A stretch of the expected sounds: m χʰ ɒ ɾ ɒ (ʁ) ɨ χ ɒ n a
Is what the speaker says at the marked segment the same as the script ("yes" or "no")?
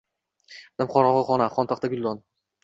yes